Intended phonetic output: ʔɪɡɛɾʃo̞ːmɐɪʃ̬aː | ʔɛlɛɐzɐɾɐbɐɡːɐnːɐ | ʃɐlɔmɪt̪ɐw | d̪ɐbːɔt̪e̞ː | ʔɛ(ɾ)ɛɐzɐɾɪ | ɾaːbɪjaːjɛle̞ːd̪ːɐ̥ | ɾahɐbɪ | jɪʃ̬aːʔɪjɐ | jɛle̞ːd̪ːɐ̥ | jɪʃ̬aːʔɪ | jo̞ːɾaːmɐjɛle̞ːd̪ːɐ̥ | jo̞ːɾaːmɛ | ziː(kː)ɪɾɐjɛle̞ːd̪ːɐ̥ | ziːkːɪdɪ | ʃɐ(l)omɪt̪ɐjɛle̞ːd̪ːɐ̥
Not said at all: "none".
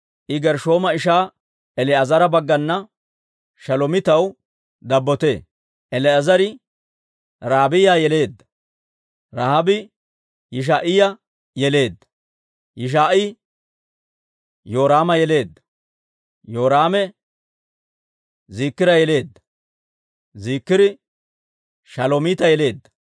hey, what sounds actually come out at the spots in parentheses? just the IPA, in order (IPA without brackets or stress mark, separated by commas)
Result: l, kː, l